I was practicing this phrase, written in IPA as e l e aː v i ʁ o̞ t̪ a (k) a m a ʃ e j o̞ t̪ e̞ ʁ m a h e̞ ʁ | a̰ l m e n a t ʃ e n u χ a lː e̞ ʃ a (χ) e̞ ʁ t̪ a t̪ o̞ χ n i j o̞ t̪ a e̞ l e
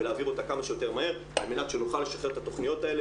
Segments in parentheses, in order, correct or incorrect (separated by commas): correct, correct